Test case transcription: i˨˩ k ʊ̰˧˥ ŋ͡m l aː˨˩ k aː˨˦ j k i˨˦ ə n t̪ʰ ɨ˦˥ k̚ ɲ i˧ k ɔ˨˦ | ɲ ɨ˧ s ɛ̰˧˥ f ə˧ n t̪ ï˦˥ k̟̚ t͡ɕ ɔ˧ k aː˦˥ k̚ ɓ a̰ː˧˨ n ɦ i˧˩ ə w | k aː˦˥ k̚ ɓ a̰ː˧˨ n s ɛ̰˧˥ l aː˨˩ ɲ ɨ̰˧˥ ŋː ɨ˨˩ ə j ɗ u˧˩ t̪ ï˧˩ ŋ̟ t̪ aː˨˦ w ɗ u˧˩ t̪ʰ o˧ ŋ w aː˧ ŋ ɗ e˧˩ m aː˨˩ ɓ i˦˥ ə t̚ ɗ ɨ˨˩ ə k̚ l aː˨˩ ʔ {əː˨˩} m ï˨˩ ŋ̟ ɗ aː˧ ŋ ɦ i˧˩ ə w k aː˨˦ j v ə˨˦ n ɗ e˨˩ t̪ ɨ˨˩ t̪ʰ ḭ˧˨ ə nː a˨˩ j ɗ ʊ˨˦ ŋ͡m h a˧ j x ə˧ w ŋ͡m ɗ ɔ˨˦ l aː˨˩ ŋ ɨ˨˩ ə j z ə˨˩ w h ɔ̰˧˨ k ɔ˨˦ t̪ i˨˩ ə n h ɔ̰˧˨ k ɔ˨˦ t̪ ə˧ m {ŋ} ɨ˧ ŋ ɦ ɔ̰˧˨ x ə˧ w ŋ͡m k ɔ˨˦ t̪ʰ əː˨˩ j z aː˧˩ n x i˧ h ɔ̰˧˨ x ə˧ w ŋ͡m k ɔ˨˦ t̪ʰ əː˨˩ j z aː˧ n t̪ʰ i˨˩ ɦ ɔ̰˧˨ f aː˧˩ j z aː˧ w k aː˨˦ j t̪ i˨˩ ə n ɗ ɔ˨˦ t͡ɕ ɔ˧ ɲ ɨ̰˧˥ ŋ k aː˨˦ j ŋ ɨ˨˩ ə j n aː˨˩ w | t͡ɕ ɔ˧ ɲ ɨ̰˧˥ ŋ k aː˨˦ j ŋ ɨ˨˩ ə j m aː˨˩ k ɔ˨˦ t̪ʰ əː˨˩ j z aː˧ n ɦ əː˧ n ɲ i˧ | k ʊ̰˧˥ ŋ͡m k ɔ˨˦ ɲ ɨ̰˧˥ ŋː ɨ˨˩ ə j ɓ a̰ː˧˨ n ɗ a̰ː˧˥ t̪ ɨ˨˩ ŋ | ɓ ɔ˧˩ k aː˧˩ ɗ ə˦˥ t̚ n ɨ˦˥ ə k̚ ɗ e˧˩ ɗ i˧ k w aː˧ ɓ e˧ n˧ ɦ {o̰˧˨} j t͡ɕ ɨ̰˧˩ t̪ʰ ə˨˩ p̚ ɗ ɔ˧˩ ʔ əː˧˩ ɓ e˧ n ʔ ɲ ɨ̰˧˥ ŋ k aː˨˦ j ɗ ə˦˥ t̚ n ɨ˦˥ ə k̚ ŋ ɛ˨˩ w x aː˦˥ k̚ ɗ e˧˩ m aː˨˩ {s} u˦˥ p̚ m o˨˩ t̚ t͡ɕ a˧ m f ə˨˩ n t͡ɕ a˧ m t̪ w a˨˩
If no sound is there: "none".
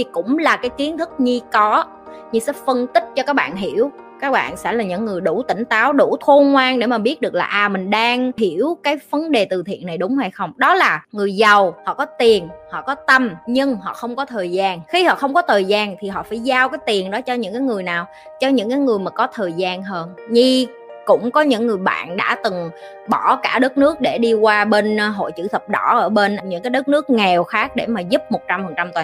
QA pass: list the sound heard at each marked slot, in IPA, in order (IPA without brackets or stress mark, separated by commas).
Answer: aː˨˩, ɲ, o̰˧˨, z